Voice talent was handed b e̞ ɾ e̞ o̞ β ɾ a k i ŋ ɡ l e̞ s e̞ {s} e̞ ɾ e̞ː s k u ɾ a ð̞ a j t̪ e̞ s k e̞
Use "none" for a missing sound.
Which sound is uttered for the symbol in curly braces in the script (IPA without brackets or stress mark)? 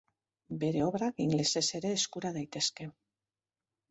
s